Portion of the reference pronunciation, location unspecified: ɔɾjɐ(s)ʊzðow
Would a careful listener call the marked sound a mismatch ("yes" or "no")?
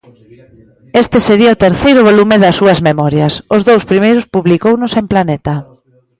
no